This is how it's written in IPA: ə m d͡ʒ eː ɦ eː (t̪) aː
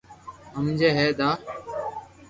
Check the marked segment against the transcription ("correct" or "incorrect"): incorrect